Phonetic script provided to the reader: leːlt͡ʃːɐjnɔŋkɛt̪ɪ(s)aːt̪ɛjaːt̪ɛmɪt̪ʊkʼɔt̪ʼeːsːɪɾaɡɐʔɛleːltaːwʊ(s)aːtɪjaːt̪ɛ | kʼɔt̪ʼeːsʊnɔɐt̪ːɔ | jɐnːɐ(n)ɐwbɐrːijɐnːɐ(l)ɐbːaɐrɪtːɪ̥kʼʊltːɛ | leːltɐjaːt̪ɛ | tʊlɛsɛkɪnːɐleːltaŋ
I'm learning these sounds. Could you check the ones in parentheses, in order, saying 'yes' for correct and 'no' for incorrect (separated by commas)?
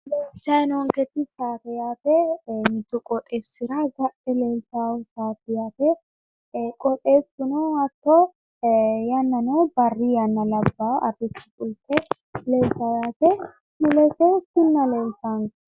yes, yes, yes, yes